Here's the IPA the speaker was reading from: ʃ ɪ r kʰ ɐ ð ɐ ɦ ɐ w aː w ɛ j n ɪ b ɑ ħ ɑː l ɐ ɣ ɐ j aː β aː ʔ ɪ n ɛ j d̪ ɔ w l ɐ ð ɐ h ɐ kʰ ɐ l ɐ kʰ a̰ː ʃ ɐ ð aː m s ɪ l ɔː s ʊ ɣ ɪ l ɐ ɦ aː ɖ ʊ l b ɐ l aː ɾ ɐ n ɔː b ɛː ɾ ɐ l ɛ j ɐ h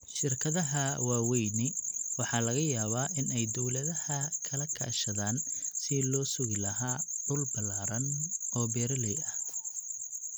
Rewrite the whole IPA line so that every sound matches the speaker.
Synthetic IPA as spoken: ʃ ɪ r kʰ ɐ ð ɐ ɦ ɐ w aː w ɛ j n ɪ w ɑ ħ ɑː l ɐ ɣ ɐ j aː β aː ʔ ɪ n ɛ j d̪ ɔ w l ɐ ð ɐ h ɐ kʰ ɐ l ɐ kʰ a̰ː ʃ ɐ ð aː n s ɪ l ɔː s ʊ ɣ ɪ l ɐ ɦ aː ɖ ʊ l b ɐ l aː ɾ ɐ n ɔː b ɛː ɾ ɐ l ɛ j ɐ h

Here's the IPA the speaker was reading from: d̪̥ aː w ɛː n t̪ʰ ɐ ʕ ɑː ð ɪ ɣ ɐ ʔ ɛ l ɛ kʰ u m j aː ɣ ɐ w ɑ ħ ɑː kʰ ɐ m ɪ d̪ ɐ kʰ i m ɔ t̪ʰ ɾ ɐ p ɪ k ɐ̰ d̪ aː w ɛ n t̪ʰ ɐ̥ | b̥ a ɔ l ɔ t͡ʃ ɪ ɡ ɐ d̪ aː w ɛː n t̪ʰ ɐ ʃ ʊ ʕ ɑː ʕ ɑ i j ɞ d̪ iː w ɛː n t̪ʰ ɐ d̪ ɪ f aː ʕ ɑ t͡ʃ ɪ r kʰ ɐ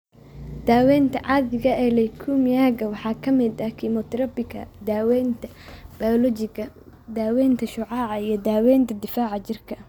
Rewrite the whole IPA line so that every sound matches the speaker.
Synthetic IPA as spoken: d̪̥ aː w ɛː n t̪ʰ ɐ ʕ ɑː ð ɪ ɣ ɐ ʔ ɛ l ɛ kʰ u m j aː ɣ ɐ w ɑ ħ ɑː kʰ ɐ m ɪ d̪ ɐ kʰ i m ɔ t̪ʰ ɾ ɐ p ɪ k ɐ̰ d̪ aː w ɛ n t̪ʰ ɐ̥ | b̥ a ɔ l ɔ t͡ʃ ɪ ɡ ɐ d̪ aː w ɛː n t̪ʰ ɐ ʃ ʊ ʕ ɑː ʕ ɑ i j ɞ d̪ aː w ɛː n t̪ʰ ɐ d̪ ɪ f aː ʕ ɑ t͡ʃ ɪ r kʰ ɐ

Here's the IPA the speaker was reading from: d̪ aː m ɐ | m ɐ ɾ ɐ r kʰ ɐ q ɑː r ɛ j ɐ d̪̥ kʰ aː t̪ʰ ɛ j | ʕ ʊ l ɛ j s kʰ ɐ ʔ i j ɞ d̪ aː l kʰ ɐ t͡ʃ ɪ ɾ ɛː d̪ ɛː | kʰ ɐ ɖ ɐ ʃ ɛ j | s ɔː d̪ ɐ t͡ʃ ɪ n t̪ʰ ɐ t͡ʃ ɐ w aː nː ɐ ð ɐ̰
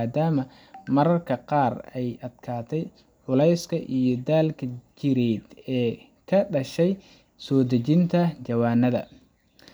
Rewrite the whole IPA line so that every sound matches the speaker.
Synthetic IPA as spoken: d̪ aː m ɐ | m ɐ ɾ ɐ r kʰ ɐ q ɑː r ɛ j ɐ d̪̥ kʰ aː t̪ʰ ɛ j | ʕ ʊ l ɛ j s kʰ ɐ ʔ i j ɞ d̪ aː l kʰ ɐ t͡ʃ ɪ ɾ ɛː d̪ ɛː | kʰ ɐ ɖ ɐ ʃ ɛ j | s ɔː d̪ ɐ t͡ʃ ɪ n t̪ʰ ɐ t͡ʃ ɐ w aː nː ɐ ð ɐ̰

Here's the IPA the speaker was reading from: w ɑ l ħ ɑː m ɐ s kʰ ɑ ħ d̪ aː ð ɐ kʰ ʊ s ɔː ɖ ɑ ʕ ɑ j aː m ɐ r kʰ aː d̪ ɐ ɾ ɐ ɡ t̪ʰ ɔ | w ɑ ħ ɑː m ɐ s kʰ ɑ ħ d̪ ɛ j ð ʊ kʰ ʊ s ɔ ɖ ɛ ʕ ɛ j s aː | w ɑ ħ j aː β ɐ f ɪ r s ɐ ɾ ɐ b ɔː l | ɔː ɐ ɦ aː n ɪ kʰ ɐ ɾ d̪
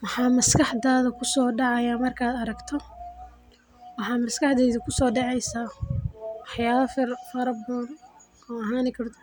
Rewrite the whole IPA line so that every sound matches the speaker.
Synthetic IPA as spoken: w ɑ ħ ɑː m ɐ s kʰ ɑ ħ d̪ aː ð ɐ kʰ ʊ s ɔː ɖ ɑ ʕ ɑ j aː m ɐ r kʰ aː d̪ ɐ ɾ ɐ ɡ t̪ʰ ɔ | w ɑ ħ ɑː m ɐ s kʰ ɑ ħ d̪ ɛ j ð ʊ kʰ ʊ s ɔː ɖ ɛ ʕ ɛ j s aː | w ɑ ħ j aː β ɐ f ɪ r f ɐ ɾ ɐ b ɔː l | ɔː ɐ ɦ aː n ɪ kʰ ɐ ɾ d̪

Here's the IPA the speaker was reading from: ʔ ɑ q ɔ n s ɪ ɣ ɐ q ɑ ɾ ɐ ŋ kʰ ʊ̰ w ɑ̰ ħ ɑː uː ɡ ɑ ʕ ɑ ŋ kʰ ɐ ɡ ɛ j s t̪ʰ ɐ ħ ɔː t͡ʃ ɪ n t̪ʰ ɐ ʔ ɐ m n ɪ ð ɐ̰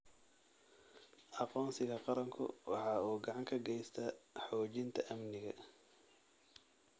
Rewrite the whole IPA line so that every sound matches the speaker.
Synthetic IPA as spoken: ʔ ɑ q ɔː n s ɪ ɣ ɐ q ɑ ɾ ɐ ŋ kʰ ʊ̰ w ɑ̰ ħ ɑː uː ɡ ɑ ʕ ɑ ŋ kʰ ɐ ɡ ɛ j s t̪ʰ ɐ ħ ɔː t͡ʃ ɪ n t̪ʰ ɐ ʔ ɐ m n ɪ ɣ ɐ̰

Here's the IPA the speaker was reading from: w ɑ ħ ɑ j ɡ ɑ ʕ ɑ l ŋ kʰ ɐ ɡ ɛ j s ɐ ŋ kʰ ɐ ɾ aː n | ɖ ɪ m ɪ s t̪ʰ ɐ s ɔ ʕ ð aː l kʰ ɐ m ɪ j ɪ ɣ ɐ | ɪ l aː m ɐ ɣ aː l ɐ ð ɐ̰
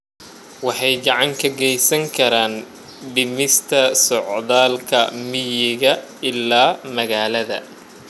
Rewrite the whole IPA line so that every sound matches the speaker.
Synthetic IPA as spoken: w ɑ ħ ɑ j ɡ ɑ ʕ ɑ ŋ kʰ ɐ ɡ ɛ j s ɐ ŋ kʰ ɐ ɾ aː n | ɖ ɪ m ɪ s t̪ʰ ɐ s ɔ ʕ ð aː l kʰ ɐ m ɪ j ɪ ɣ ɐ | ɪ l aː m ɐ ɣ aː l ɐ ð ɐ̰

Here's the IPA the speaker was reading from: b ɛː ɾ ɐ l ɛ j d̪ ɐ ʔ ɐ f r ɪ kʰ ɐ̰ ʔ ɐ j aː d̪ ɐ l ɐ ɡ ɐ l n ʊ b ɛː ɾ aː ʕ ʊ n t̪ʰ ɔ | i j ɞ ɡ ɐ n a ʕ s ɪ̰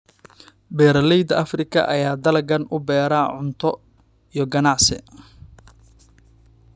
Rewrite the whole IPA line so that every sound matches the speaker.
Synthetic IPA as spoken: b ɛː ɾ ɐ l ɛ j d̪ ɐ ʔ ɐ f r ɪ kʰ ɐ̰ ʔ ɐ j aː d̪ ɐ l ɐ ɡ ɐ n ʊ b ɛː ɾ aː ʕ ʊ n t̪ʰ ɔ | i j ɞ ɡ ɐ n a ʕ s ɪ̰

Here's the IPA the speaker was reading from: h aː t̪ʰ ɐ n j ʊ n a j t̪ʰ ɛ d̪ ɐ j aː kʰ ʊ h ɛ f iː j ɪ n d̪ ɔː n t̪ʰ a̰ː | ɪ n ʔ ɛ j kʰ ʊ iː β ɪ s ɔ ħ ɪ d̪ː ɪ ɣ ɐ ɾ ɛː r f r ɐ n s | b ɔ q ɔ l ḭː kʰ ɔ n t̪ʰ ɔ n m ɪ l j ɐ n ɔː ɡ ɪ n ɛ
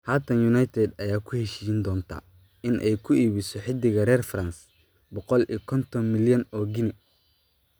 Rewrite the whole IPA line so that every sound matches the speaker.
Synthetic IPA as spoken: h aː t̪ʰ ɐ n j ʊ n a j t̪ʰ ɛ d̪ ɐ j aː kʰ ʊ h ɛ ʃ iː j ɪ n d̪ ɔː n t̪ʰ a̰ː | ɪ n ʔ ɛ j kʰ ʊ iː β ɪ s ɔ ħ ɪ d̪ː ɪ ɣ ɐ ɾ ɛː r f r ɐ n s | b ɔ q ɔ l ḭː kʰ ɔ n t̪ʰ ɔ n m ɪ l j ɐ n ɔː ɡ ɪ n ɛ

